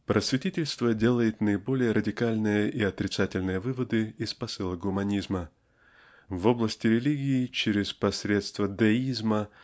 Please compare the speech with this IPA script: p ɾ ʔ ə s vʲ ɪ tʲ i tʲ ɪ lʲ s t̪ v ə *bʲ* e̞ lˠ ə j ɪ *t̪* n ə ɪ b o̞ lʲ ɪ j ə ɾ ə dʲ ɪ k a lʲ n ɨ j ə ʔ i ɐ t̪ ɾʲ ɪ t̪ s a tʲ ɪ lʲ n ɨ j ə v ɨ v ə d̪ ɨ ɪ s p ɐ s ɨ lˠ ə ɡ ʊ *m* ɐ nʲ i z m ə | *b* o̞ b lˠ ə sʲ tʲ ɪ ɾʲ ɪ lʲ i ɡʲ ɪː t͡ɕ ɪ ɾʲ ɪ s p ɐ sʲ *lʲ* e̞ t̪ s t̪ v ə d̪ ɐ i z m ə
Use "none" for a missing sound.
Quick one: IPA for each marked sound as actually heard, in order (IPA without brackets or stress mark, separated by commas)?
dʲ, t̪, m, v, ɾʲ